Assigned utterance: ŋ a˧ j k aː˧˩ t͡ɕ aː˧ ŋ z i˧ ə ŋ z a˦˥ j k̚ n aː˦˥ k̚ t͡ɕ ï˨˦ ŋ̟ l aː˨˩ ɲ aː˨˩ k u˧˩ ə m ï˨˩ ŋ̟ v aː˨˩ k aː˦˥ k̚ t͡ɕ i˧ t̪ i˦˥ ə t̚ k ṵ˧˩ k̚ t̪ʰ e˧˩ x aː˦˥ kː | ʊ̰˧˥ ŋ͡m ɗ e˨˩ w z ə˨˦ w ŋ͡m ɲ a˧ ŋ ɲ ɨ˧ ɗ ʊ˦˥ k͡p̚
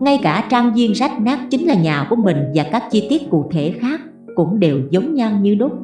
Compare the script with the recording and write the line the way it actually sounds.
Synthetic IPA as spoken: ŋ a˧ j k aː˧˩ t͡ɕ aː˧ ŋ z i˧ ə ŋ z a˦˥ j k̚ n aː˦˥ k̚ t͡ɕ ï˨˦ ŋ̟ l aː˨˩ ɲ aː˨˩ k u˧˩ ə m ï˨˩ ŋ̟ v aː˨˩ k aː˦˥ k̚ t͡ɕ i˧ t̪ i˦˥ ə t̚ k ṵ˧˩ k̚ t̪ʰ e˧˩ x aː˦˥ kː | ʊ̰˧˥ ŋ͡m ɗ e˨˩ w z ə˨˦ w ŋ͡m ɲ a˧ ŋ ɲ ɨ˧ ɗ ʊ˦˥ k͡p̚